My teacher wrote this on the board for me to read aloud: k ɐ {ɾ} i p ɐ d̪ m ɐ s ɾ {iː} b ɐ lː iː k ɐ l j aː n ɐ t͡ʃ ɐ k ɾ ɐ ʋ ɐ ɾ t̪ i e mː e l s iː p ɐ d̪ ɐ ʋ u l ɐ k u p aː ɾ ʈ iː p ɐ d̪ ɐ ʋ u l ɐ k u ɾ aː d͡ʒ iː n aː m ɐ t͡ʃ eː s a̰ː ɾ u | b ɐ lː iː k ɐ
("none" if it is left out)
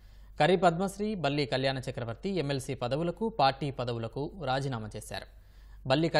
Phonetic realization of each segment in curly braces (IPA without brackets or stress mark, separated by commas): ɾ, iː